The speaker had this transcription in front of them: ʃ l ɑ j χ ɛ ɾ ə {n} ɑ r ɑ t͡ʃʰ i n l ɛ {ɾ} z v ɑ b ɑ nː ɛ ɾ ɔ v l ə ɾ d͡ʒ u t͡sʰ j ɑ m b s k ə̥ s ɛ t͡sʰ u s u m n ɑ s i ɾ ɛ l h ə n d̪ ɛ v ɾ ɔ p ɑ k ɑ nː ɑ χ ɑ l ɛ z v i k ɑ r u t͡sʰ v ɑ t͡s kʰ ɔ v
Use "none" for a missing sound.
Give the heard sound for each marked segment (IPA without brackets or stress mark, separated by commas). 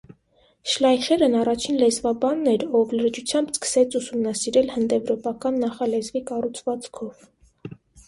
n, none